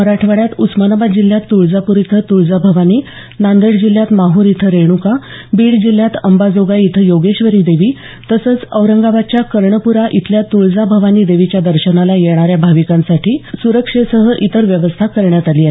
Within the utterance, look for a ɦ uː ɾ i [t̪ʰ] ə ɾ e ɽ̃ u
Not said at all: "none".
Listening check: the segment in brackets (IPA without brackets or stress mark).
t̪ʰ